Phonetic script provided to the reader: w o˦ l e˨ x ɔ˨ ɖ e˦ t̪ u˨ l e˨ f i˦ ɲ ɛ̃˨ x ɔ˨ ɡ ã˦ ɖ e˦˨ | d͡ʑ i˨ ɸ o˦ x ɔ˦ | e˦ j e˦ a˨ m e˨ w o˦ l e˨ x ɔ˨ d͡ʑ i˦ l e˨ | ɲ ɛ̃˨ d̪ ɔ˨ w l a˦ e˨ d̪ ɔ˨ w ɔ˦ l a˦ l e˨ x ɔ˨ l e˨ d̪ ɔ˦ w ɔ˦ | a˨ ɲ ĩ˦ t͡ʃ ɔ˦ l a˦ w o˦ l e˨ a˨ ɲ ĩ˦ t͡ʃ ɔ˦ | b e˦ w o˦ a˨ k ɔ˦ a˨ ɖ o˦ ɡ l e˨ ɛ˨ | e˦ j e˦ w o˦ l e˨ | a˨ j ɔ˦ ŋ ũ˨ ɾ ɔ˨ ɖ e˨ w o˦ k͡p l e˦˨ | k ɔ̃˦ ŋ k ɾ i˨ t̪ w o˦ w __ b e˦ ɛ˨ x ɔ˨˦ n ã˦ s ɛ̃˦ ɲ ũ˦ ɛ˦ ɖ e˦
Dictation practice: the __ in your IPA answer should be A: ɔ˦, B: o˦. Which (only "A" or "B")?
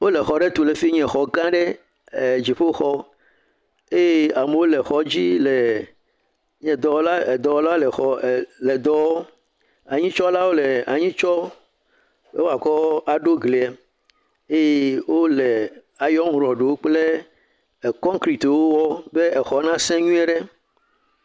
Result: A